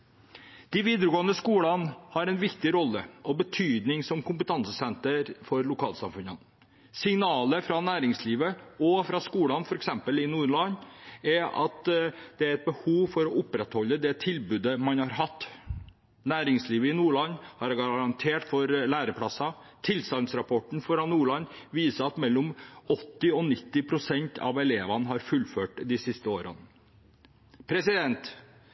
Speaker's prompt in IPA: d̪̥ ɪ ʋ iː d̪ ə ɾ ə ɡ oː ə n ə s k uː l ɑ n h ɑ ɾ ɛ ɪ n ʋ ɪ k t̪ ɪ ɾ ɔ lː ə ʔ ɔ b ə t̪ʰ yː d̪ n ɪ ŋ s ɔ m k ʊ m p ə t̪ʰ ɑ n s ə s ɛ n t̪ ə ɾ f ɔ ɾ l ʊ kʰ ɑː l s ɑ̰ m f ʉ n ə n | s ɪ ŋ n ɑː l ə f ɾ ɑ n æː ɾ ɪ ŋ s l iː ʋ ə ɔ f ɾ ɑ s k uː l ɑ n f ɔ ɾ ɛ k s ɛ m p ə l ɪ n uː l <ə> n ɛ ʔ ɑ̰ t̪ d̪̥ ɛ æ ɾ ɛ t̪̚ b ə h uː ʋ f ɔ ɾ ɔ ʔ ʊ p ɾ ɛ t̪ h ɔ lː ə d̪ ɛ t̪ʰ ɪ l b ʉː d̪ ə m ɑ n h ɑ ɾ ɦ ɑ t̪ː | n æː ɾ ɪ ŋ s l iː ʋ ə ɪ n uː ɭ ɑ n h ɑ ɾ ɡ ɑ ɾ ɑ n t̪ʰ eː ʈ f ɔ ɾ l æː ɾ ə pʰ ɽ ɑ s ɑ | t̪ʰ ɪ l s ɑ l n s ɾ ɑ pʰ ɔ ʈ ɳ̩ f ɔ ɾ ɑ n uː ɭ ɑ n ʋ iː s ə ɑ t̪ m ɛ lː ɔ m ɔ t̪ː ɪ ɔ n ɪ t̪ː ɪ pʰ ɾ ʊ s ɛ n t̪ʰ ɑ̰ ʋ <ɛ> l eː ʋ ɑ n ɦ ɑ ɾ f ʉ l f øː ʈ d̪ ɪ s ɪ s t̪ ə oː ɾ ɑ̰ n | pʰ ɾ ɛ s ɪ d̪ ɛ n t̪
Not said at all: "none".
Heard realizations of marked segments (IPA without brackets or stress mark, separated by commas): ɑ, ɛ